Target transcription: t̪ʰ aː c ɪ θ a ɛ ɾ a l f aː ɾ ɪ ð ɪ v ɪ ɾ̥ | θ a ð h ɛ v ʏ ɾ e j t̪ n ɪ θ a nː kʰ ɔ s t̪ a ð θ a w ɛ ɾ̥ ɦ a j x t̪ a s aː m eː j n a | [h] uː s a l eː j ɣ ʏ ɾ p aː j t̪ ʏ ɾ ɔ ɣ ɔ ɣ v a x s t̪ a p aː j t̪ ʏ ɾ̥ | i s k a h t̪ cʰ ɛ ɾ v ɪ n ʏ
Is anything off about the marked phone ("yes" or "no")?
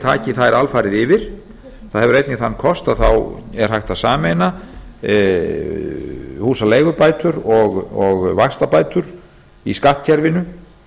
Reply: no